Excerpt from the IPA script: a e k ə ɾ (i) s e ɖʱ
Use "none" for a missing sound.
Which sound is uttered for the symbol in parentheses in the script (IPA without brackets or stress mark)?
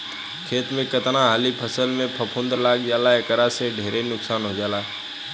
a